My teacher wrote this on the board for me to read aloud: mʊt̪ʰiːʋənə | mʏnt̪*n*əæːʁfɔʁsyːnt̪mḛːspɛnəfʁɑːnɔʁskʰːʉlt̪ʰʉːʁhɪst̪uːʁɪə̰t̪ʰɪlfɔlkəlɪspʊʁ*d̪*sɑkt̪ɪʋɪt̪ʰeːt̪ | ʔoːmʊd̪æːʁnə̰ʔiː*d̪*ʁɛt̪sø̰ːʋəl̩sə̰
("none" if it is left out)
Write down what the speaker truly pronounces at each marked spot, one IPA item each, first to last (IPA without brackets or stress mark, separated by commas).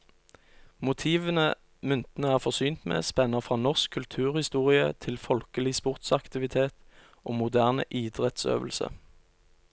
n, t̪, d̪